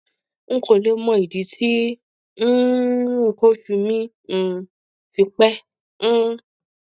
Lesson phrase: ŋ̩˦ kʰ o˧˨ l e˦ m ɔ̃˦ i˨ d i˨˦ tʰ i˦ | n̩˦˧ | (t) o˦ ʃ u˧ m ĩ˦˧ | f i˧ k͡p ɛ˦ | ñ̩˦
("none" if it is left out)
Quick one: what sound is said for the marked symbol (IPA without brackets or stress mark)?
k